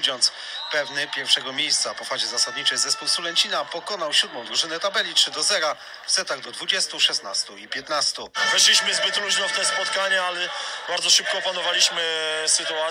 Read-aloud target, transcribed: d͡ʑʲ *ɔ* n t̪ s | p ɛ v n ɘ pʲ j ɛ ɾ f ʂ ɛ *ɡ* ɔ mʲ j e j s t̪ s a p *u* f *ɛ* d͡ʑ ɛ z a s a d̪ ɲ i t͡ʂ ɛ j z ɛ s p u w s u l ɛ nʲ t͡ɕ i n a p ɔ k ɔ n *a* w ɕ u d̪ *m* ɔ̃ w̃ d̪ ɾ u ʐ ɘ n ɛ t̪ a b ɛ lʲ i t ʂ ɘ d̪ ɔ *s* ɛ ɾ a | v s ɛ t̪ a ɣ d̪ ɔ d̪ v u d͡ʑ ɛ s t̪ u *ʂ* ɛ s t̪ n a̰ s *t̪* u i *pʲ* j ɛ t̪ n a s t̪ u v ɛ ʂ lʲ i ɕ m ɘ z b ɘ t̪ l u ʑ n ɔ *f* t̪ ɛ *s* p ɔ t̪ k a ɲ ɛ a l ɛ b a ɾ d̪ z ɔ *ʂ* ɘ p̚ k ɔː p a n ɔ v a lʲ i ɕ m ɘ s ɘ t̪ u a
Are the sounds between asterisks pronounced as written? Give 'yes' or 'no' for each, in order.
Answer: yes, yes, no, no, yes, yes, no, yes, yes, yes, yes, yes, yes

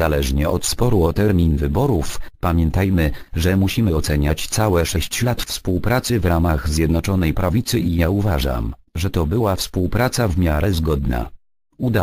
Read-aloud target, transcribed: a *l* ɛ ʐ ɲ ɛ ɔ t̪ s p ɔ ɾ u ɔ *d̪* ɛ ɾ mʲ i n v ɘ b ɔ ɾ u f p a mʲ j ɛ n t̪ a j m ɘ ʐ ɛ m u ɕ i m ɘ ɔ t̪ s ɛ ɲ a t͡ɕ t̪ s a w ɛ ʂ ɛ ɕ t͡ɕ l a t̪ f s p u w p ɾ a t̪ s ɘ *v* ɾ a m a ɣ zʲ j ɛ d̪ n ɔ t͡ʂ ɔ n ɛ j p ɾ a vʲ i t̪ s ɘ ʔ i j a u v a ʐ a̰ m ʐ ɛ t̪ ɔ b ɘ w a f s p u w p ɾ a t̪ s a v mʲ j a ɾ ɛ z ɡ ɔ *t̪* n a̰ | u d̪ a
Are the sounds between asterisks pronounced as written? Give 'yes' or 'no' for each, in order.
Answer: yes, no, yes, no

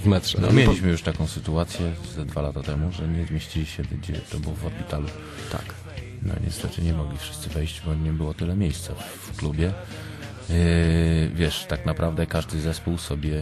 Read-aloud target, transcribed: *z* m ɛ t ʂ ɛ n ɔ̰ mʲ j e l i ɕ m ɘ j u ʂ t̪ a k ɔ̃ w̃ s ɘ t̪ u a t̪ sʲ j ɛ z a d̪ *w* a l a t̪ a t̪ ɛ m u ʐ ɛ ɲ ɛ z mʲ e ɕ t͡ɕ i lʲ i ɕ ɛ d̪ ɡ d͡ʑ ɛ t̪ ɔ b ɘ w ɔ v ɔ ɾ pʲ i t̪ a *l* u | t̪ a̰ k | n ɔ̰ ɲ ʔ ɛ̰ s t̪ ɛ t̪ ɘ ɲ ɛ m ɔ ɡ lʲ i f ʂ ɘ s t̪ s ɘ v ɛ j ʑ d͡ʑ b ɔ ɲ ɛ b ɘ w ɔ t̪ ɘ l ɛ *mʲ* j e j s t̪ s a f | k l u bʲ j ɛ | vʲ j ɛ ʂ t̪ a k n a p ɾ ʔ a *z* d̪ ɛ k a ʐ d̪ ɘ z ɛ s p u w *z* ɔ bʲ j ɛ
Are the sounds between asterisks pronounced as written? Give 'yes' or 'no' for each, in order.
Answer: no, no, yes, yes, no, no

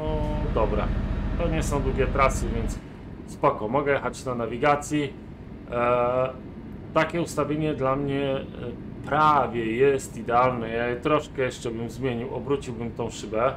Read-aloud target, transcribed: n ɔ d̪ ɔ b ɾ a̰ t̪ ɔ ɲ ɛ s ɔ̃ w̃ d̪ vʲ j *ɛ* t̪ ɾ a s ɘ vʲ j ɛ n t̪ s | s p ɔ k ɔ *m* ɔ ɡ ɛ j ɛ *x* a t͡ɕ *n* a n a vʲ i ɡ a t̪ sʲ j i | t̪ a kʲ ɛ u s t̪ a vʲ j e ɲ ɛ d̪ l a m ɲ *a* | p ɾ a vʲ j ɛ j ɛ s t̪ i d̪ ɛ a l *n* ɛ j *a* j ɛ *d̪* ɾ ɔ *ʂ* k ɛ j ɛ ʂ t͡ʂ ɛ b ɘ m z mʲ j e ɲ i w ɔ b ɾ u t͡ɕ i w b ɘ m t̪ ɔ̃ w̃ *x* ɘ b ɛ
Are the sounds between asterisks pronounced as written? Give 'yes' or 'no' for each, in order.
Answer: yes, yes, yes, yes, no, yes, yes, no, yes, no

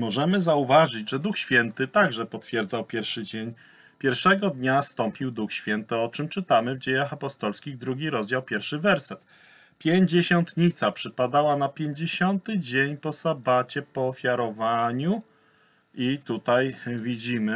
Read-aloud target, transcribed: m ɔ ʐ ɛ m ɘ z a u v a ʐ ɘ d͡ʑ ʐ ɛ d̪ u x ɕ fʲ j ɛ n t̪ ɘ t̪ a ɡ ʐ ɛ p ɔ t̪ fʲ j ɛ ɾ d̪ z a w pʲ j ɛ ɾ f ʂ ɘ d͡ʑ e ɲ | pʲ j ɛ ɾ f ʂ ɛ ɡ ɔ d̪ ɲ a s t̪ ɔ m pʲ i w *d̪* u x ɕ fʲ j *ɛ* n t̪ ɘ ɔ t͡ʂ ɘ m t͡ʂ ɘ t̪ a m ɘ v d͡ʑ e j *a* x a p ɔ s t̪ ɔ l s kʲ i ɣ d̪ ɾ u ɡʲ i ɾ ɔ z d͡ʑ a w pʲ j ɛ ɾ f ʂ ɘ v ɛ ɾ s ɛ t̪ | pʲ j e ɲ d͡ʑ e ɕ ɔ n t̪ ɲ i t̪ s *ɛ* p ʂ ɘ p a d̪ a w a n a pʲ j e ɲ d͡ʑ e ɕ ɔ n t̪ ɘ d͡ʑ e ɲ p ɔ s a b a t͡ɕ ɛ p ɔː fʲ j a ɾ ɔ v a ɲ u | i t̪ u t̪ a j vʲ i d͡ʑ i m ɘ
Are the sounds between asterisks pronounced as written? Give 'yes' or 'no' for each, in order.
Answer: yes, yes, yes, no

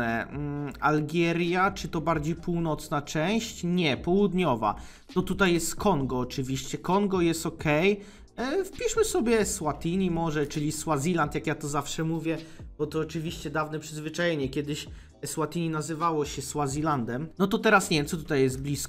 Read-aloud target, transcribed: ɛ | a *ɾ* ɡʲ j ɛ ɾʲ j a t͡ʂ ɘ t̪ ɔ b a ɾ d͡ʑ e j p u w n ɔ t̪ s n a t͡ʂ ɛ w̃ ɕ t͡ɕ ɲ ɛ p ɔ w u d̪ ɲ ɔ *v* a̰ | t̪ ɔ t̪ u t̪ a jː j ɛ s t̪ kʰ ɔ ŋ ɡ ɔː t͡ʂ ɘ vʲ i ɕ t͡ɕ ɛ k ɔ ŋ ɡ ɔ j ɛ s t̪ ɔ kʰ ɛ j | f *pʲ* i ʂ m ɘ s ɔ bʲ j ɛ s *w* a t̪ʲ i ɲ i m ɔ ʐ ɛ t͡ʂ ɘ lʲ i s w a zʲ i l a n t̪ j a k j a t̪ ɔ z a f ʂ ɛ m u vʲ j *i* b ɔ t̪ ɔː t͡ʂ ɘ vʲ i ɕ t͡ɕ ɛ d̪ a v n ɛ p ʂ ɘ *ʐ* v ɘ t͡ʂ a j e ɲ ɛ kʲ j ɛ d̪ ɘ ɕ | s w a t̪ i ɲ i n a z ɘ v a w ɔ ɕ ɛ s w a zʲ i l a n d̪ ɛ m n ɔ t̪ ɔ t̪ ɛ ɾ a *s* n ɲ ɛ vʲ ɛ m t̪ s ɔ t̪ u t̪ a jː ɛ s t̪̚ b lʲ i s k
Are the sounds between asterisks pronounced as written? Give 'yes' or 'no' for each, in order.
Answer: no, yes, yes, yes, no, no, yes

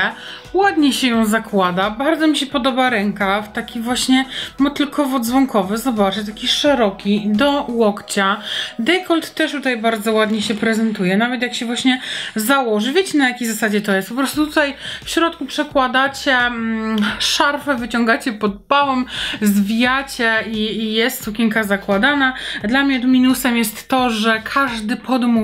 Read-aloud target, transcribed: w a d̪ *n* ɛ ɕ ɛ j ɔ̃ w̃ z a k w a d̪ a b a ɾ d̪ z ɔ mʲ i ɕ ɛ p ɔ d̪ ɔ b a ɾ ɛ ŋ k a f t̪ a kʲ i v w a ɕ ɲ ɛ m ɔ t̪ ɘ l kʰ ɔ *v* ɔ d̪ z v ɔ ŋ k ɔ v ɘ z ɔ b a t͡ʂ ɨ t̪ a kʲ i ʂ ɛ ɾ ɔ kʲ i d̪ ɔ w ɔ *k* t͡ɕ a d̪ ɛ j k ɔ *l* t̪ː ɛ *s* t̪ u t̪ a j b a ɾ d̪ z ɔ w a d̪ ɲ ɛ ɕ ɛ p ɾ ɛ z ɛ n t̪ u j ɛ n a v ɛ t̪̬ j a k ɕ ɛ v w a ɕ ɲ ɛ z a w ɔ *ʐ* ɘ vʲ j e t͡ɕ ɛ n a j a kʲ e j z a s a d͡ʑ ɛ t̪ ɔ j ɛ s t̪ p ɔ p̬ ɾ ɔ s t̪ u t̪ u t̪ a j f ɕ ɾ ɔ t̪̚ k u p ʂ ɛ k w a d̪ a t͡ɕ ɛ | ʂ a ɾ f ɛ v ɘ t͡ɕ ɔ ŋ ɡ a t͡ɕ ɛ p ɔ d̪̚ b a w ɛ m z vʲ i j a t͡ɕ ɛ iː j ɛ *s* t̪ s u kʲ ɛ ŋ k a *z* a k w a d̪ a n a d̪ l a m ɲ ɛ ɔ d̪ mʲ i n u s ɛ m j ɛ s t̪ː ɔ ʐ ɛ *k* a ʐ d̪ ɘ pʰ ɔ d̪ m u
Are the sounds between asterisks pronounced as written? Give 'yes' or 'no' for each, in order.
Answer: no, yes, yes, yes, no, yes, yes, yes, no

